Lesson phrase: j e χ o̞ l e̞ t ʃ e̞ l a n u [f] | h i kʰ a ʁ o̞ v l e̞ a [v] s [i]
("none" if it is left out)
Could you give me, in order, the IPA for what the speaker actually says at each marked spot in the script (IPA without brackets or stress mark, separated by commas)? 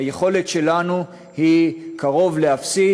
none, f, i